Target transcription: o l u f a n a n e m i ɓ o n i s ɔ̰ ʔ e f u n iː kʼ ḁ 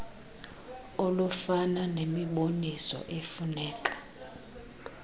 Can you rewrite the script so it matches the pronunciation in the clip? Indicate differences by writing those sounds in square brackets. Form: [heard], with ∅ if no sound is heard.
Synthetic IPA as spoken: o l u f a n a n e m i ɓ o n i s ɔ̰ ʔ e f u n [ɛː] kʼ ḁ